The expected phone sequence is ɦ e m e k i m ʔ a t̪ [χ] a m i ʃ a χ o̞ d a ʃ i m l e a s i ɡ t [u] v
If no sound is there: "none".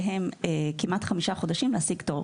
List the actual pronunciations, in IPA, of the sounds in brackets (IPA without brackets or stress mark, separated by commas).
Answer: χ, o